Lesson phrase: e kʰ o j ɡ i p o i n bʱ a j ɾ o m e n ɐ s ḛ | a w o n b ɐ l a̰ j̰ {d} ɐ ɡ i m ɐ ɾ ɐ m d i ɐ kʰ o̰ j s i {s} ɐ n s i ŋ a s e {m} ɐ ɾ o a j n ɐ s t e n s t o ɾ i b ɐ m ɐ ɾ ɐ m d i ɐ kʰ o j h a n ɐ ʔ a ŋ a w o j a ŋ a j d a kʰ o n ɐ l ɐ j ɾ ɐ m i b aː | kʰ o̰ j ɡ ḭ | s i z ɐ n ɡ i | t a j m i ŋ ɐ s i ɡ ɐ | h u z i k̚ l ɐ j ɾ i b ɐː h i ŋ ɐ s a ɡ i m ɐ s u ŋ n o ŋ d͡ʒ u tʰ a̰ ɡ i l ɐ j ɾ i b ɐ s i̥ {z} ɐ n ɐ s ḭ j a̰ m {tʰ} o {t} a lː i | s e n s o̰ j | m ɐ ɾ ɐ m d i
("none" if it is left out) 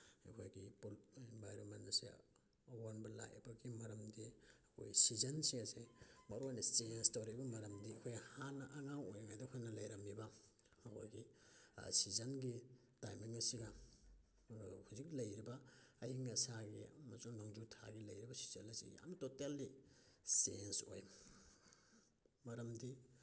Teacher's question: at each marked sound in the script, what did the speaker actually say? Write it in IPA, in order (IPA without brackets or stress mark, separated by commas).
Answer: b, z, m, z, t, t